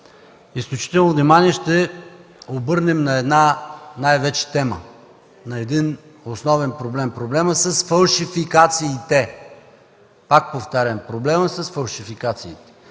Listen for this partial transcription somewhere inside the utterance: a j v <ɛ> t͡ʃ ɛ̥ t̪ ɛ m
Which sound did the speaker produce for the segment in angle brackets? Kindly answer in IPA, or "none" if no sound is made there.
ɛ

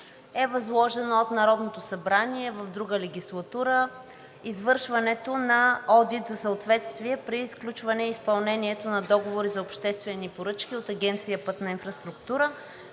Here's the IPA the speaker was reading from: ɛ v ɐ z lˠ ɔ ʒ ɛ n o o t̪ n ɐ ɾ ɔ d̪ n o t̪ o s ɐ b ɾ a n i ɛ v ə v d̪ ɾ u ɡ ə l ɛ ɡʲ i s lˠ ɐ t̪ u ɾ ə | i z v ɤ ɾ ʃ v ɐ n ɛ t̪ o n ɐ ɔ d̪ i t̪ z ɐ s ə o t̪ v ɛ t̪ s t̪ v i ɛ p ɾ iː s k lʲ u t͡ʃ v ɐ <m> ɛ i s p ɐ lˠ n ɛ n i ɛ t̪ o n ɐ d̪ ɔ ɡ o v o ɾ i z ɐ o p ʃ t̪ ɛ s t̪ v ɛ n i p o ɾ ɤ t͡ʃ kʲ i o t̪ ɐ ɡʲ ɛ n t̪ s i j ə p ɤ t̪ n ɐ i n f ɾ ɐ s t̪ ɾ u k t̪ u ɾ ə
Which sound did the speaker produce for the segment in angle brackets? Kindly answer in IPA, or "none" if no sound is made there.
n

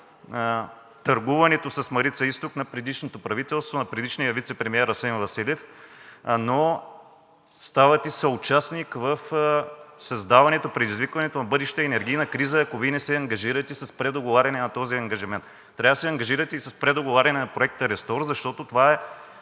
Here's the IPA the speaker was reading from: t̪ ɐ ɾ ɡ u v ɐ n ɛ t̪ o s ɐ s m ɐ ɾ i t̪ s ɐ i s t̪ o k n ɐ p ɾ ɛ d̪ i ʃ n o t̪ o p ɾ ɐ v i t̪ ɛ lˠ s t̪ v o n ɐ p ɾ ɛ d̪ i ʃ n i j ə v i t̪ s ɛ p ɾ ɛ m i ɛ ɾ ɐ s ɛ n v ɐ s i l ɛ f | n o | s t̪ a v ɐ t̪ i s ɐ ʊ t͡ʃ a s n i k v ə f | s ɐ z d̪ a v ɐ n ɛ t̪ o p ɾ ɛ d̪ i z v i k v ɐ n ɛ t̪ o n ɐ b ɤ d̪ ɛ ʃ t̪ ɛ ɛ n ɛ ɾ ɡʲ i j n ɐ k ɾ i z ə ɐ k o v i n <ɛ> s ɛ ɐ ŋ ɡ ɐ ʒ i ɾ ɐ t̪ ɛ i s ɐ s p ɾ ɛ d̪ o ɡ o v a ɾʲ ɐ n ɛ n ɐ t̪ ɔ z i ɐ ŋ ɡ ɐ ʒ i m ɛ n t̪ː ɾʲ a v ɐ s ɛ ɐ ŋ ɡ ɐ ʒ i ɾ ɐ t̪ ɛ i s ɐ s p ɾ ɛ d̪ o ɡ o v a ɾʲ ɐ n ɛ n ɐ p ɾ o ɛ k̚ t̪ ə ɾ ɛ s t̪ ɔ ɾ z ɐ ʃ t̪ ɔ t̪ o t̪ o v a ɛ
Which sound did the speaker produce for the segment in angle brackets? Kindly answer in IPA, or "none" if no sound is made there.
ɛ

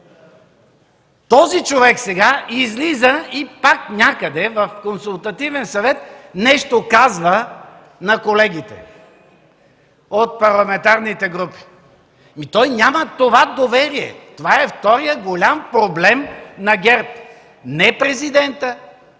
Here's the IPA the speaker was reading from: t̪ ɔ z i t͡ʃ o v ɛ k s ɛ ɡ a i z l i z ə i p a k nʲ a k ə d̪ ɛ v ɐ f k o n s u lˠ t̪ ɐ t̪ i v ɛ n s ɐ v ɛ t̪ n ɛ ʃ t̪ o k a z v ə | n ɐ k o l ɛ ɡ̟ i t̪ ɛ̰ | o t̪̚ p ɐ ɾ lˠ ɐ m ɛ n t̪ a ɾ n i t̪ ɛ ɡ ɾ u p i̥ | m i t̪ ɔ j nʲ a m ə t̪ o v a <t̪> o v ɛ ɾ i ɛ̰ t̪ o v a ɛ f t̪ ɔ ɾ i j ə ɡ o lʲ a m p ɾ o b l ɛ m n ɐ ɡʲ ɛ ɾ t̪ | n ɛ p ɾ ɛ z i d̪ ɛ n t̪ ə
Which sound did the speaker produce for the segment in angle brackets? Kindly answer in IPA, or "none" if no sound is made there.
d̪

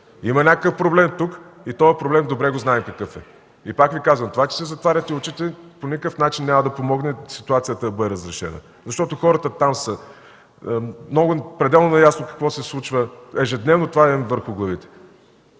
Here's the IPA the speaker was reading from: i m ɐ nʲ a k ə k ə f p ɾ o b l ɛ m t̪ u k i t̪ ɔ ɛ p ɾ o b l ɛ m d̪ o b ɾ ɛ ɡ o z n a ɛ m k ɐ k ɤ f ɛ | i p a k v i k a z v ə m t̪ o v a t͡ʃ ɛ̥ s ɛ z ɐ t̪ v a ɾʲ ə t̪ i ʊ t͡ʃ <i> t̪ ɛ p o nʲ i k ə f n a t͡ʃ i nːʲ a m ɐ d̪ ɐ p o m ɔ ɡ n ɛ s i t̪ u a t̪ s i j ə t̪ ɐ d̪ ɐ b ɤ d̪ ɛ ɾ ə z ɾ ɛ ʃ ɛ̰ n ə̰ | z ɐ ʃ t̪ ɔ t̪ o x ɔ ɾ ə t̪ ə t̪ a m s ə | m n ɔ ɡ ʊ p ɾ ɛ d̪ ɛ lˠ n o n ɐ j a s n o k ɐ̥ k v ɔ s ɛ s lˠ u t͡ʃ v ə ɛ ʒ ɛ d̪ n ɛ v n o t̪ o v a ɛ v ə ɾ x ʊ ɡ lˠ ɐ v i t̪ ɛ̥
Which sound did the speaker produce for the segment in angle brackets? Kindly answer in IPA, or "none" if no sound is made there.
i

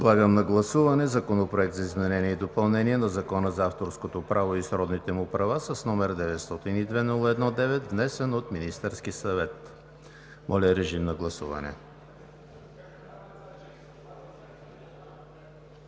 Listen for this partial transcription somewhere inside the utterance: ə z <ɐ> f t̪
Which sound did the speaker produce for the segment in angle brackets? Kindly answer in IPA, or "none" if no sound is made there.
a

